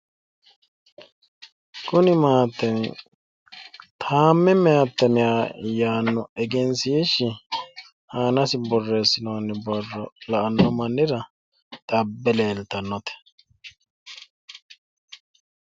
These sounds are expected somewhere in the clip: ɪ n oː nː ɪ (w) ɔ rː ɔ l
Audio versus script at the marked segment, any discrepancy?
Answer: yes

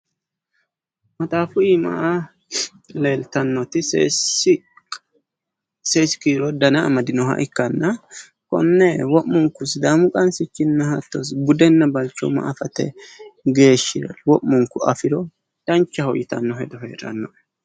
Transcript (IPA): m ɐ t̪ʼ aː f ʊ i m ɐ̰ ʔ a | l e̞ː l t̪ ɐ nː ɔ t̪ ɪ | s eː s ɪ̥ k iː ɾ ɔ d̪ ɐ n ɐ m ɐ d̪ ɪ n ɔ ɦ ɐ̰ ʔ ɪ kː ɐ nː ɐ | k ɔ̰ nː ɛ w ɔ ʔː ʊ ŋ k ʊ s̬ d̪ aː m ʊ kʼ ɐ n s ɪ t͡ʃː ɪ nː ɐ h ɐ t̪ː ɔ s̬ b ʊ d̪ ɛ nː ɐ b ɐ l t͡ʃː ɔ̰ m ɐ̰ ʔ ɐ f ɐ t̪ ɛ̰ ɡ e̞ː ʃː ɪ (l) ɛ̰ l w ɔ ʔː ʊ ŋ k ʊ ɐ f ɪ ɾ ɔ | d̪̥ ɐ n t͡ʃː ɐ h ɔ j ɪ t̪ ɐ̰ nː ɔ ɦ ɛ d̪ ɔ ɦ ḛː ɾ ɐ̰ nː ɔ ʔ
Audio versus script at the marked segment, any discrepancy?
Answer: yes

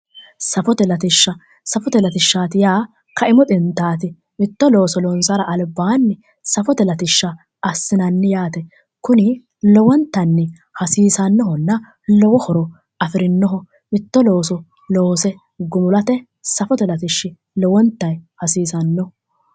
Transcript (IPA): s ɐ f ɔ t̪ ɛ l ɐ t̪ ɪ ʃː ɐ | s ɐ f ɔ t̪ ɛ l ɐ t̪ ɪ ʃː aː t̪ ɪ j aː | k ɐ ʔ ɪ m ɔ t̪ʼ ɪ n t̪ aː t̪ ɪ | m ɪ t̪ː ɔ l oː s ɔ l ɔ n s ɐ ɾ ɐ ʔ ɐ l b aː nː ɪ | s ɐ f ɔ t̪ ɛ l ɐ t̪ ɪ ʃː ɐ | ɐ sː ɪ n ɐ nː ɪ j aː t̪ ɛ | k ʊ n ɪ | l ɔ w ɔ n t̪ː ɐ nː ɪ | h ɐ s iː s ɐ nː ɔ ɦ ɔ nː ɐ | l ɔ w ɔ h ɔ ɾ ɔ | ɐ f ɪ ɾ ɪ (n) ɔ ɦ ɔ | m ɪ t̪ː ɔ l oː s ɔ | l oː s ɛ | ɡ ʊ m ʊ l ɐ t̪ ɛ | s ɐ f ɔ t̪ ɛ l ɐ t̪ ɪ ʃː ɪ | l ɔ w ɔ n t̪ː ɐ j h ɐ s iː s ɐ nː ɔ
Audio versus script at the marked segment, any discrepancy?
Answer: yes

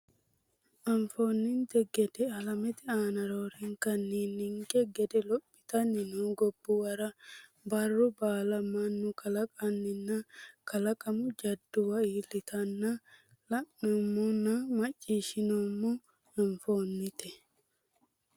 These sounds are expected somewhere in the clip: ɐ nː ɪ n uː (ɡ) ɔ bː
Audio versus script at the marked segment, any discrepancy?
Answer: no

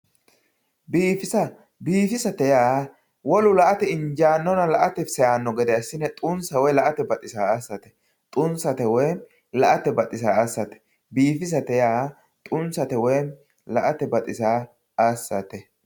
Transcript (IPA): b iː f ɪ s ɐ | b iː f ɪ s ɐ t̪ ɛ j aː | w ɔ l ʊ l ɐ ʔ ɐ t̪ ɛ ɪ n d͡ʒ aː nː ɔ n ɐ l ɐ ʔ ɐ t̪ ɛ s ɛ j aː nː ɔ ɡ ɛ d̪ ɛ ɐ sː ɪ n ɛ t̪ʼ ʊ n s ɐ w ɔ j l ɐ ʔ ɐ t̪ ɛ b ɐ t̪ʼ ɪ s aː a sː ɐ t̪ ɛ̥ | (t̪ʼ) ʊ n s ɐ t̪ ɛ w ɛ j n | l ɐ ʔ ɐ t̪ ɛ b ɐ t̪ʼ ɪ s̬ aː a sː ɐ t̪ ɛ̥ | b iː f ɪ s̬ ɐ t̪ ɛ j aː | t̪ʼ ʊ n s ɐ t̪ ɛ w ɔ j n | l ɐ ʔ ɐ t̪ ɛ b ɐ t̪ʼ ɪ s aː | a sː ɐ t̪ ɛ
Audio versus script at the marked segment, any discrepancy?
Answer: no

